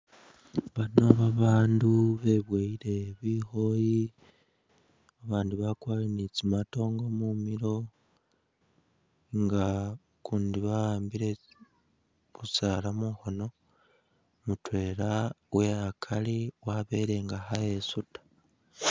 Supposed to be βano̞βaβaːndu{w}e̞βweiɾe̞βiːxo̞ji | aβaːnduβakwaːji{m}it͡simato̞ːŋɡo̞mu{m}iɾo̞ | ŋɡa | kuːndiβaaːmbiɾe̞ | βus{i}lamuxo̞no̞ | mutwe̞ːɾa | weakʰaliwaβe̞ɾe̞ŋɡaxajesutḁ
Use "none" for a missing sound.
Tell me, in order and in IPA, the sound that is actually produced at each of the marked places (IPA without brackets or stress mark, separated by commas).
β, n, m, a